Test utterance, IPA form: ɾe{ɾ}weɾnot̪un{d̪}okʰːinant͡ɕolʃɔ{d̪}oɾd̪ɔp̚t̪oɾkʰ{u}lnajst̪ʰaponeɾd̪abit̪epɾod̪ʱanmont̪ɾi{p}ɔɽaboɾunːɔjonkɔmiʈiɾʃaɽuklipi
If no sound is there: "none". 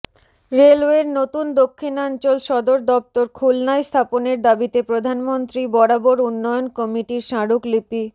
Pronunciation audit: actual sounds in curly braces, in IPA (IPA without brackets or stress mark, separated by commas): l, d̪, d̪, u, b